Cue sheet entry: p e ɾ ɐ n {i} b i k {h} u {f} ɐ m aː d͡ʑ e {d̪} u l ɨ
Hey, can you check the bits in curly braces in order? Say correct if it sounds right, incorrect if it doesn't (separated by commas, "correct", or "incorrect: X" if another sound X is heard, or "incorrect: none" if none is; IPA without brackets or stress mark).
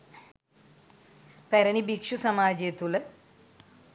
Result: correct, incorrect: ʂ, incorrect: s, incorrect: t̪